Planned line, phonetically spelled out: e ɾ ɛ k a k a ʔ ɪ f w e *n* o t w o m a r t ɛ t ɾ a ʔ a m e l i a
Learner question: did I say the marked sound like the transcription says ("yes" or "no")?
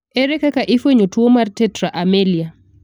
no